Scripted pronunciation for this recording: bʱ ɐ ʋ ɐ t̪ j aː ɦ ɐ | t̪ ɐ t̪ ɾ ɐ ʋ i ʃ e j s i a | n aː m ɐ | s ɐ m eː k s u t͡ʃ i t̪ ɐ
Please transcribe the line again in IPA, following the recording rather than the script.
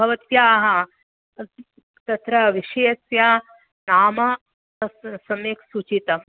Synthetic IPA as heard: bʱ ɐ ʋ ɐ t̪ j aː ɦ ɐ | t̪ ɐ t̪ ɾ ɐ ʋ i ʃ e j s j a | n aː m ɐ | s ɐ m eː k s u t͡ʃ i t̪ ɐ